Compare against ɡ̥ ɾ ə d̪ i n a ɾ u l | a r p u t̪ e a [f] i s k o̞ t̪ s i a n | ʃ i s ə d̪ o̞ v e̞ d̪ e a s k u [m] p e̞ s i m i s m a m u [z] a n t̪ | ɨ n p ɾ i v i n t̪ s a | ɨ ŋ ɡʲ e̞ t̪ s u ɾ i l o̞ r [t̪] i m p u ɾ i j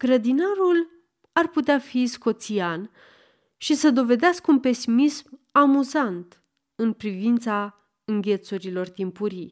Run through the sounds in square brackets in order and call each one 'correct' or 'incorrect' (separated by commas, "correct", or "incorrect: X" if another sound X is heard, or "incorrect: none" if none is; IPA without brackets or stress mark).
correct, incorrect: n, correct, correct